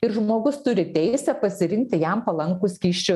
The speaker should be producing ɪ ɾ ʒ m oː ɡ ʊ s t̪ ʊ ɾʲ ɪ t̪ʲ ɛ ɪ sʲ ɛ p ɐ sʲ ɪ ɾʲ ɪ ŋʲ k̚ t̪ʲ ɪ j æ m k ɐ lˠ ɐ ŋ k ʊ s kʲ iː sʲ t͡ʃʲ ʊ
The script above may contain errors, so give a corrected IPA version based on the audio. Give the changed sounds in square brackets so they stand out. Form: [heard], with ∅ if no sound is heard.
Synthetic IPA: ɪ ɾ ʒ m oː ɡ ʊ s t̪ ʊ ɾʲ ɪ t̪ʲ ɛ ɪ sʲ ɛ p ɐ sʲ ɪ ɾʲ ɪ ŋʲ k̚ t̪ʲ ɪ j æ m [p] ɐ lˠ ɐ ŋ k ʊ s kʲ iː [ʃʲ] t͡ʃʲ ʊ